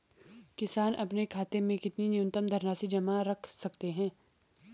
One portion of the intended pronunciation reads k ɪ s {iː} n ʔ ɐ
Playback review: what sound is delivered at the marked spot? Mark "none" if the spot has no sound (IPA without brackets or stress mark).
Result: aː